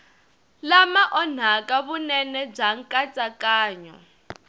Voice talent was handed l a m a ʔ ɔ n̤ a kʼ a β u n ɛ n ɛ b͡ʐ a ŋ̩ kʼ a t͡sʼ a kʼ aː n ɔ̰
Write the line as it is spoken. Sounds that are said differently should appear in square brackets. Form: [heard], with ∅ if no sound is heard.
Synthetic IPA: l a m a ʔ ɔ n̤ a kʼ a β u n ɛ n ɛ b͡ʐ a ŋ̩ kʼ a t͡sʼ a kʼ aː [ɲ] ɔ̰